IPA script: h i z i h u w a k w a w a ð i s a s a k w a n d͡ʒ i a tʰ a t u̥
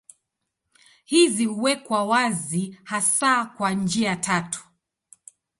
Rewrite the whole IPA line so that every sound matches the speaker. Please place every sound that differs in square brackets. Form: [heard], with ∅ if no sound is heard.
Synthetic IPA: h i z i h u w [ɛ] k w a w a [z] i [h] a s a k w a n d͡ʒ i a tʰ a t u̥